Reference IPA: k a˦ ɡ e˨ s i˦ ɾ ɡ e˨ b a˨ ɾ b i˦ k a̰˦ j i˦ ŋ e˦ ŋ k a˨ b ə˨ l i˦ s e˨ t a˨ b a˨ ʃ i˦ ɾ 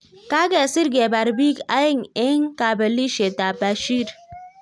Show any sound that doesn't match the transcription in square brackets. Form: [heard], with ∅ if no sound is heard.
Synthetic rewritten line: k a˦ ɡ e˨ s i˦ ɾ ɡ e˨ b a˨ ɾ b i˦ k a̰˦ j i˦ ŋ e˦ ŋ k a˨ b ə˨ l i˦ [ʃ] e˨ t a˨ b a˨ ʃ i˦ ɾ